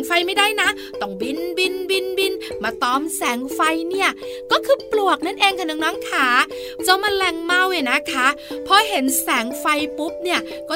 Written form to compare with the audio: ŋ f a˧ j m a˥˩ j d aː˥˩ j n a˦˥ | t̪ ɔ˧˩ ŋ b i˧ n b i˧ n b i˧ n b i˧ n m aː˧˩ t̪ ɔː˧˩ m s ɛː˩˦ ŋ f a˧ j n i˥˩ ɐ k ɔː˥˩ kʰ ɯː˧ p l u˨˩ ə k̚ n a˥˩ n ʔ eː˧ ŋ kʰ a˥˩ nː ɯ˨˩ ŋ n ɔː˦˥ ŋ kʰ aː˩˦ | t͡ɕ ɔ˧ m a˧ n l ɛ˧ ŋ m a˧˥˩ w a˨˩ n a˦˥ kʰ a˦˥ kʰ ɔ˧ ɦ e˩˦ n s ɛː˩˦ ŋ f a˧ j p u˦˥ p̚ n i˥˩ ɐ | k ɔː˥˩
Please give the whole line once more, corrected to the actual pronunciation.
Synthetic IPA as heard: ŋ f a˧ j m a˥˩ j d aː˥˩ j n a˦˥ | t̪ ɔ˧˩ ŋ b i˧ n b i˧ n b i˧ n b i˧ n m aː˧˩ t̪ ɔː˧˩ m s ɛː˩˦ ŋ f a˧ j n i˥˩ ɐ k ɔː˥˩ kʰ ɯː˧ p l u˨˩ ə k̚ n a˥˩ n ʔ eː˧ ŋ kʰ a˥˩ n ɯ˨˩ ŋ n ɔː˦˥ ŋ kʰ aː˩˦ | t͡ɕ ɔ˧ m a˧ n l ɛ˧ ŋ m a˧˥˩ w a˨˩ n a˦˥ kʰ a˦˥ pʰ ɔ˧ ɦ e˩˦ n s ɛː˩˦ ŋ f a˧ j p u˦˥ p̚ n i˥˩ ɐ | k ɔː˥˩